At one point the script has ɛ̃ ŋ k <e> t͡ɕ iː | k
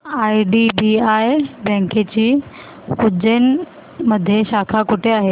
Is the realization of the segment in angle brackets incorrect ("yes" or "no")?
no